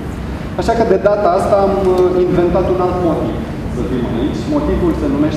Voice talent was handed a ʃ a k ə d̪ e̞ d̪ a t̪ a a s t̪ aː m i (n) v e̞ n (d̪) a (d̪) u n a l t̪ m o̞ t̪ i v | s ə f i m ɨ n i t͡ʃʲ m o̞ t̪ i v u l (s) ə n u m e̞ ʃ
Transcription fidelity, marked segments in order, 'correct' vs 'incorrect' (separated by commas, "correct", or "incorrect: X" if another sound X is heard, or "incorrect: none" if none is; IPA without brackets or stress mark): correct, incorrect: t̪, incorrect: t̪, correct